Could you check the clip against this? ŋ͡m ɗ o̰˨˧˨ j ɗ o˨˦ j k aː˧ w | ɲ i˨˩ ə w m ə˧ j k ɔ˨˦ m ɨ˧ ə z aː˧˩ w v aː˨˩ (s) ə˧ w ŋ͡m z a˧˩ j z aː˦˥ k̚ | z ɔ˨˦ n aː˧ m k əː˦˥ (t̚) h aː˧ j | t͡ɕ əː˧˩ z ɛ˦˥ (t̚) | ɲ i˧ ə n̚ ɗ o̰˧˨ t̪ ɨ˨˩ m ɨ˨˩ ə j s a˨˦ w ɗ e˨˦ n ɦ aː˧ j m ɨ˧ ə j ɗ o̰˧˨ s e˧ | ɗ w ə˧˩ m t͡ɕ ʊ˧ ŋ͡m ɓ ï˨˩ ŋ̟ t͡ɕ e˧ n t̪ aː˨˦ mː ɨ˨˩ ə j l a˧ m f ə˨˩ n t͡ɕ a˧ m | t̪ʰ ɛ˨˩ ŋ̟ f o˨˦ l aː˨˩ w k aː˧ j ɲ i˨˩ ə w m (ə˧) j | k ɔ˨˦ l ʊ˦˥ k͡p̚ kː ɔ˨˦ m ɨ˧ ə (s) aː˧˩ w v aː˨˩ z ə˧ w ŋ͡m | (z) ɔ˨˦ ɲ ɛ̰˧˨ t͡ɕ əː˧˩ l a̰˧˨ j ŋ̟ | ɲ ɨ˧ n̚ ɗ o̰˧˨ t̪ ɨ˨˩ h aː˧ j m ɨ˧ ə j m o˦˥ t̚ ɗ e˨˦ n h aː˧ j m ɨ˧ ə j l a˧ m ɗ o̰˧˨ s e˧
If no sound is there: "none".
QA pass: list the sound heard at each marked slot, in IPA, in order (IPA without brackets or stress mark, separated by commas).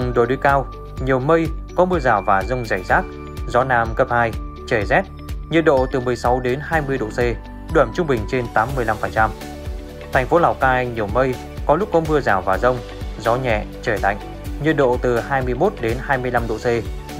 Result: z, p̚, t̚, ə˧, z, z